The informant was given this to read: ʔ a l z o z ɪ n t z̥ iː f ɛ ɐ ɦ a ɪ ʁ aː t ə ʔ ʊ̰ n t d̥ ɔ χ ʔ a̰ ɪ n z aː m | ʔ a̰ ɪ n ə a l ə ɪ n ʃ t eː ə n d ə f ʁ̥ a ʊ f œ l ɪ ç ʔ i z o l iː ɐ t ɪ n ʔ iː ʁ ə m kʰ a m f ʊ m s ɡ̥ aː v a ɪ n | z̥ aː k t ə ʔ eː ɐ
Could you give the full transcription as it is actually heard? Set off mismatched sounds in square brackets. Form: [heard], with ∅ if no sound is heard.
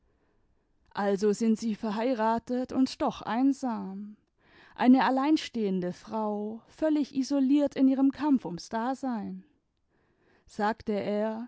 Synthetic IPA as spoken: ʔ a l z o z ɪ n t z̥ iː f ɛ ɐ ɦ a ɪ ʁ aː t ə [t] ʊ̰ n t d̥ ɔ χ ʔ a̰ ɪ n z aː m | ʔ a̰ ɪ n ə a l [a] ɪ n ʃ t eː ə n d ə f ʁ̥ a ʊ f œ l ɪ ç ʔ i z o l iː ɐ t ɪ n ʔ iː ʁ ə m kʰ a m f ʊ m s [d̥] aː [z] a ɪ n | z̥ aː k t ə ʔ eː ɐ